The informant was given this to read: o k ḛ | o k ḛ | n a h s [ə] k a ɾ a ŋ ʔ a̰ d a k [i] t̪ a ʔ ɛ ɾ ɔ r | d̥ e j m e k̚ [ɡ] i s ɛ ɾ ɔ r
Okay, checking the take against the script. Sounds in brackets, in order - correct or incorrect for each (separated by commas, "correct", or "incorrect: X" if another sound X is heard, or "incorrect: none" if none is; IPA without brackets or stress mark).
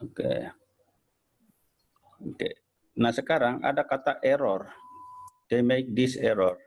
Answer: correct, incorrect: a, incorrect: d